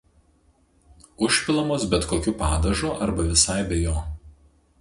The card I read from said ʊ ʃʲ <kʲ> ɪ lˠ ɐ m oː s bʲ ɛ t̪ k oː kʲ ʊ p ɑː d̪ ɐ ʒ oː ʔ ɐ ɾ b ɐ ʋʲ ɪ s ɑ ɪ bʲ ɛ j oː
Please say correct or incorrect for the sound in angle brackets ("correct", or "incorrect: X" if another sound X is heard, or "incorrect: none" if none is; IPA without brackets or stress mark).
incorrect: pʲ